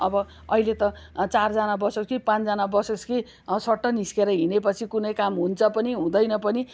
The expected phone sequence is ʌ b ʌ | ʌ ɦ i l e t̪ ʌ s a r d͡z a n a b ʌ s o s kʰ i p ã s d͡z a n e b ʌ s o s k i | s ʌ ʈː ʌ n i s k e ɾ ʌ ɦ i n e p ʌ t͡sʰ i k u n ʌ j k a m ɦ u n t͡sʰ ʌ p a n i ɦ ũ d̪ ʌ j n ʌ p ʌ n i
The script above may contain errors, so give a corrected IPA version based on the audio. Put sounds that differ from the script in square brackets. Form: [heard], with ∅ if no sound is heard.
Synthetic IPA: ʌ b ʌ | ʌ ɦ i l e t̪ ʌ [t͡s] a r d͡z a n a b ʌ s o s [k] i p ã [t͡s] d͡z a n [a] b ʌ s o s k i | s ʌ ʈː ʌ n i s k e ɾ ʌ ɦ i n e p ʌ t͡sʰ i k u n ʌ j k a m ɦ u n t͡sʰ ʌ p [ʌ] n i ɦ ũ d̪ ʌ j n ʌ p ʌ n i